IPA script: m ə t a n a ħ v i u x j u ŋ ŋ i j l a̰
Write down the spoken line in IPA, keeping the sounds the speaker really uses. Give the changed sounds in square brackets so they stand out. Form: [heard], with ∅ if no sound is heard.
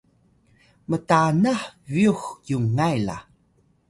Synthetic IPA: m ə t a n a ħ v i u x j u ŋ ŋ [a] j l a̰